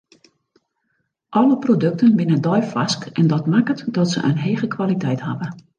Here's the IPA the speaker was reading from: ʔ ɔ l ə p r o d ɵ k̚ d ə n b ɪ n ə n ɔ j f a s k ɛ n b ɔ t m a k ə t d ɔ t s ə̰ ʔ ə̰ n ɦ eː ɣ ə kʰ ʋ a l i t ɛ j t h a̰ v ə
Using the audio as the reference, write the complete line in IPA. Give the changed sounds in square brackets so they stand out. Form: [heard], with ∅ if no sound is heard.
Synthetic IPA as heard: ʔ ɔ l ə p r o d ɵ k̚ [t] ə n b ɪ n ə [d] ɔ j f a s k ɛ n [d] ɔ t m a k ə t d ɔ t s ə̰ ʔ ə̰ n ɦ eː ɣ ə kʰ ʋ a l i t ɛ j t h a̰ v ə

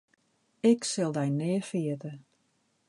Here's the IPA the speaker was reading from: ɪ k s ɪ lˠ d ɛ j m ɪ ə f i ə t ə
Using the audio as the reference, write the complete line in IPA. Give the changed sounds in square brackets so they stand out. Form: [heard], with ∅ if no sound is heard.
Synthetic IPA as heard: ɪ k s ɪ lˠ d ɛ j [n] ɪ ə f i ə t ə

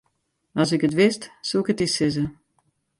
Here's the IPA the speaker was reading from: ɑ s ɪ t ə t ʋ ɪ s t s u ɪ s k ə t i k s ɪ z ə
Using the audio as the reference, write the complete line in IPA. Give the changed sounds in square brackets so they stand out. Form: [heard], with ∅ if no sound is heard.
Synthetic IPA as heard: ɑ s ɪ [k] ə t ʋ ɪ s t s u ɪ [∅] k ə t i [∅] s ɪ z ə

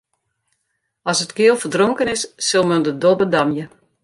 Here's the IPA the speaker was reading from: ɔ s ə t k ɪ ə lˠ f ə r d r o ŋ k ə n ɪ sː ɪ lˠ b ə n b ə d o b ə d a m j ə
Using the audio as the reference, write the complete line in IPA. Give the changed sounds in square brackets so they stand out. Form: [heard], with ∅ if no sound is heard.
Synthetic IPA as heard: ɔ s ə t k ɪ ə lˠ f ə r d r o ŋ k ə n ɪ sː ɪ lˠ [m] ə n [d] ə d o b ə d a m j ə

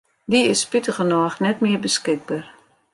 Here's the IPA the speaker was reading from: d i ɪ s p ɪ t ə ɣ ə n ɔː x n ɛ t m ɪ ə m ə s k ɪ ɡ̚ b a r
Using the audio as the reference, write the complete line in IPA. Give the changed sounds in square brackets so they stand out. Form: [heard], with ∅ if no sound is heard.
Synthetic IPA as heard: d i ɪ s p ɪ t ə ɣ ə n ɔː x n ɛ t m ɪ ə [b] ə s k ɪ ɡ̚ b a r

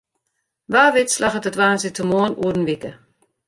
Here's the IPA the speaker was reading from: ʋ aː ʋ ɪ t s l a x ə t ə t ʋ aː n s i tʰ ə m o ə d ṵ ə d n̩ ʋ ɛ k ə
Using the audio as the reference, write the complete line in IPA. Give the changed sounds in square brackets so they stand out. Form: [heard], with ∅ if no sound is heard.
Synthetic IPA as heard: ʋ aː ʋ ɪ t s l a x ə t ə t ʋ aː n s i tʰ ə m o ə [n] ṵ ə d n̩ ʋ [i] k ə

